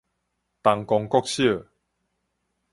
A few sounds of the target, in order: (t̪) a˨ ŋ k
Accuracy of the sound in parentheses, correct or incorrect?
correct